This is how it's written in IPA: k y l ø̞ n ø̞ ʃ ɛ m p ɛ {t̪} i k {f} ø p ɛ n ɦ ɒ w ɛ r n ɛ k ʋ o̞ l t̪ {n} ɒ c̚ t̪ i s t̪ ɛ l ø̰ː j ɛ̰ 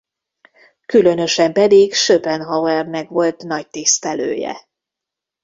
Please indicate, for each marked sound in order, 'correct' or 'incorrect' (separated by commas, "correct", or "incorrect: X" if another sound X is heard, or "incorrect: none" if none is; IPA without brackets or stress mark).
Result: incorrect: d̪, incorrect: ʃ, correct